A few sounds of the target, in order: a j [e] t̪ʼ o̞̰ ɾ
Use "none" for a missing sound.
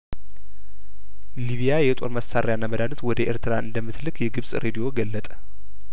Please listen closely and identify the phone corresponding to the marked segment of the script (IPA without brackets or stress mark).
ɛ